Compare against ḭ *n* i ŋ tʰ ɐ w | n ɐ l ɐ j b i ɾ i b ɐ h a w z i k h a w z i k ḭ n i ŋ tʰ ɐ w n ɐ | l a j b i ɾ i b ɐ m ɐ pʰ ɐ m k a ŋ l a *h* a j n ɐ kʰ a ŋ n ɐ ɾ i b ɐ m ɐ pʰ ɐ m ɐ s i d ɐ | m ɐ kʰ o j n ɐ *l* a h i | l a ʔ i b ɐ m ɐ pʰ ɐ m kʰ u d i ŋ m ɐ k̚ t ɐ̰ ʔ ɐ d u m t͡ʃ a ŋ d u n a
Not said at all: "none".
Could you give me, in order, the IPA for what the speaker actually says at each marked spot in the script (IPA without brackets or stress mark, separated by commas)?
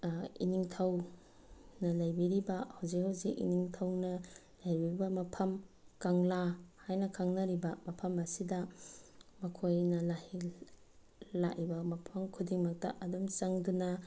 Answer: n, h, l